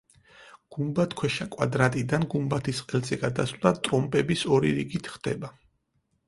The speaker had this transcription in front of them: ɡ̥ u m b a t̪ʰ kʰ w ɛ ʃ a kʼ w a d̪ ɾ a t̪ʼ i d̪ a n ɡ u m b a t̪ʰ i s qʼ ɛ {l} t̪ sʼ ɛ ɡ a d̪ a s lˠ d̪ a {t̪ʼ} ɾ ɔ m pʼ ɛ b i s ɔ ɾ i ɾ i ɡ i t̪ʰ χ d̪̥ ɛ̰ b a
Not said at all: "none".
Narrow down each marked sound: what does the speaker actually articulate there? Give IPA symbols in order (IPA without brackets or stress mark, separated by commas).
l, t̪ʼ